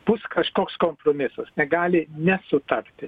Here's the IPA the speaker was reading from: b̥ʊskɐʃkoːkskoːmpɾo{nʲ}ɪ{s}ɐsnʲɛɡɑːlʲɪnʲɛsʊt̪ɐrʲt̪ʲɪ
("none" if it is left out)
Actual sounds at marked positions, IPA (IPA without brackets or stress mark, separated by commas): mʲ, s